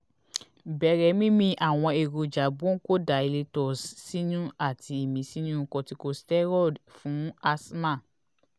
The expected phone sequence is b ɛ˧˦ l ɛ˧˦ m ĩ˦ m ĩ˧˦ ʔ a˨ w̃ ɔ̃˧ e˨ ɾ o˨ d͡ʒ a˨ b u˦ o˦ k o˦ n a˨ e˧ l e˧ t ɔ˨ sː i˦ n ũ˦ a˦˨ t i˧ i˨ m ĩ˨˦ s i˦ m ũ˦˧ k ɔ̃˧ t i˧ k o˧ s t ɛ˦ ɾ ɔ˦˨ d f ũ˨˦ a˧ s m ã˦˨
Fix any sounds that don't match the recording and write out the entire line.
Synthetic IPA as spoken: b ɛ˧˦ ɾ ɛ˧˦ m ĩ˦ m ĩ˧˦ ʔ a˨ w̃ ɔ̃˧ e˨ ɾ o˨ d͡ʒ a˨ b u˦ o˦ k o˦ d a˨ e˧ l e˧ t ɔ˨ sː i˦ n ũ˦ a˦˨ t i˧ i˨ m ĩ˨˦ s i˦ n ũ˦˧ k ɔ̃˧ t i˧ k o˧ s t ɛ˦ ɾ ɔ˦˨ d f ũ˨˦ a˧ s m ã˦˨